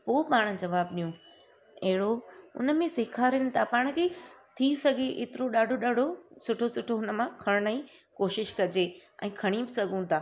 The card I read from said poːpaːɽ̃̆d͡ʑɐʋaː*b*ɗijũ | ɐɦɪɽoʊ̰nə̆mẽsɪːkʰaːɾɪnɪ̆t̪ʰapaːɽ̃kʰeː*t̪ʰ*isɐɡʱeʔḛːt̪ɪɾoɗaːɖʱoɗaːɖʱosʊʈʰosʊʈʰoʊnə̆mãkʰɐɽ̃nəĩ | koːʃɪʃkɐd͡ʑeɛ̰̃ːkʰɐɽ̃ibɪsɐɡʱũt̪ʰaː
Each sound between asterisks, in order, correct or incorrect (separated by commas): correct, correct